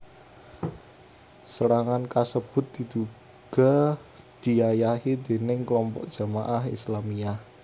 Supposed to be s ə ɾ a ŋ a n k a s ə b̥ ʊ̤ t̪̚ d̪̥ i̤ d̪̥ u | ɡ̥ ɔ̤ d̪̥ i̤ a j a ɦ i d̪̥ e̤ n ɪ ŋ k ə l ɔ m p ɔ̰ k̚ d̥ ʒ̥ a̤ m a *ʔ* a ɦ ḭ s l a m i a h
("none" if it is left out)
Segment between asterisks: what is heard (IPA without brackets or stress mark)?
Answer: ʔ